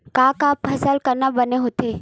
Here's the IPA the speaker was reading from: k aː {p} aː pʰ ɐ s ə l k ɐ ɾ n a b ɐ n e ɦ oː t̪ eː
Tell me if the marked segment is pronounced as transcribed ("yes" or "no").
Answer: no